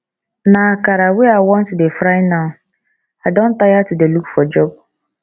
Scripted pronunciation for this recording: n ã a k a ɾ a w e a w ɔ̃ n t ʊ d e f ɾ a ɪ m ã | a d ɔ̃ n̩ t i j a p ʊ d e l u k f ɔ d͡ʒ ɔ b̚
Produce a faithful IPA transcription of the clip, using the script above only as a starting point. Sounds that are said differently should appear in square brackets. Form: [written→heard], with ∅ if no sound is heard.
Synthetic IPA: n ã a k a ɾ a w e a w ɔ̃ n t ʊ d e f ɾ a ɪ [m→n] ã | a d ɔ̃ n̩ t [i→a] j a [p→t] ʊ d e l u k f ɔ d͡ʒ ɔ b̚